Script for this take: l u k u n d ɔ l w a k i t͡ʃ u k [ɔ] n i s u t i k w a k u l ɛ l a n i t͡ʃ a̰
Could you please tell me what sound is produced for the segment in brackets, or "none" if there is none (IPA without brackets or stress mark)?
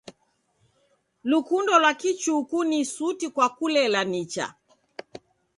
u